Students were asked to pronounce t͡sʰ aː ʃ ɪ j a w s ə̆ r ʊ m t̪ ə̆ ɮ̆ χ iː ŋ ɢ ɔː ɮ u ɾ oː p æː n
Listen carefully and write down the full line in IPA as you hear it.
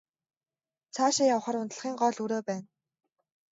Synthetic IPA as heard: t͡sʰ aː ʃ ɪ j a w χ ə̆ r ʊ n t̪ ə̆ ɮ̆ χ iː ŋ ɢ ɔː ɮ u ɾ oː p æː n